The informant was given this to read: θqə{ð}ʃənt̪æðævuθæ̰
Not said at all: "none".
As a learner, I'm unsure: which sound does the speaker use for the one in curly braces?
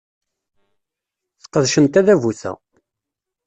ð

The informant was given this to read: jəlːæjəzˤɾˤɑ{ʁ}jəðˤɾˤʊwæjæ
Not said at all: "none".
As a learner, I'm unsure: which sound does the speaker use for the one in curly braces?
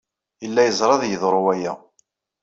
ð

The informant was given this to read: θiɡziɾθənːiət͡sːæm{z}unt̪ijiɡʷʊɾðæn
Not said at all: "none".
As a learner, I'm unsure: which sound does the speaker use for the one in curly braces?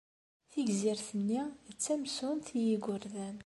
s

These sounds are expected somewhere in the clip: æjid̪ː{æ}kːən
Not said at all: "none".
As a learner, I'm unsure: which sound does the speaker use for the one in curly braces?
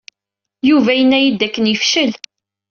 æ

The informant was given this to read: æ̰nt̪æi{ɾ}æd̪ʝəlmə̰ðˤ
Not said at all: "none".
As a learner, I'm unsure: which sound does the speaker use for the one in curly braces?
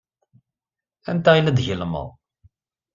l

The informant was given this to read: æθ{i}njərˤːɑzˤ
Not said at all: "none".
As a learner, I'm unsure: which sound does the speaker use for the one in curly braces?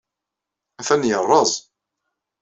æ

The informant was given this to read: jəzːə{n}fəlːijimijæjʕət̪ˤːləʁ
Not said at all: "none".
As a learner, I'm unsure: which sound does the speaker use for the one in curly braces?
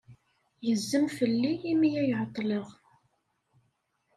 m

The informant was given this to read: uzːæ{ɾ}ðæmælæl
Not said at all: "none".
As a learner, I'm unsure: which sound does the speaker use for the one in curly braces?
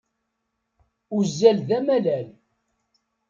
l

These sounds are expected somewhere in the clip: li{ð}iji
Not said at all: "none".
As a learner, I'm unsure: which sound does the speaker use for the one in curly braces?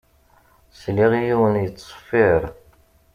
ʁ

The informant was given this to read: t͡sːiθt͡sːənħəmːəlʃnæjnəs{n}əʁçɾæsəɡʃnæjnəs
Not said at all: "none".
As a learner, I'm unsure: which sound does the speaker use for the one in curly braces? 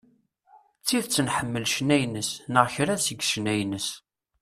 n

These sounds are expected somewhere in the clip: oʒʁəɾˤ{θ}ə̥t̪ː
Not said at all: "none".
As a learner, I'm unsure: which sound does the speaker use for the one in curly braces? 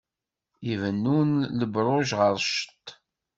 ʃ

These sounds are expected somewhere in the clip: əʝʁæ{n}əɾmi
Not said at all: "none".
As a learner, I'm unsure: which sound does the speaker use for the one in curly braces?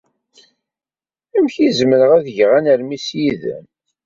n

